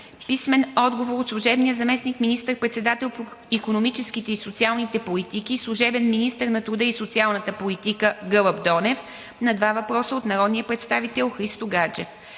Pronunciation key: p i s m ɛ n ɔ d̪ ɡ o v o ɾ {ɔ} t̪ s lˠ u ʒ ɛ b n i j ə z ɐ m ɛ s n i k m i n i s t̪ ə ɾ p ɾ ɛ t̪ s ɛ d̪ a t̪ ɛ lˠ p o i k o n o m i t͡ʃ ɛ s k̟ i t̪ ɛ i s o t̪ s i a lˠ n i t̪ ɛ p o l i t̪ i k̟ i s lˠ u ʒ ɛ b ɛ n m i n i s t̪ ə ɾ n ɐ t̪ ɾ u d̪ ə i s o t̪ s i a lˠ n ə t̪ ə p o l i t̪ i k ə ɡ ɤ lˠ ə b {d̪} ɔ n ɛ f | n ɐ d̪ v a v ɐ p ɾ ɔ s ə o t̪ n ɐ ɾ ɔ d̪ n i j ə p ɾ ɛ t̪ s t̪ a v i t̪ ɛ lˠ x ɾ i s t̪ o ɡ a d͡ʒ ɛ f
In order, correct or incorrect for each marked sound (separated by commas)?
incorrect, correct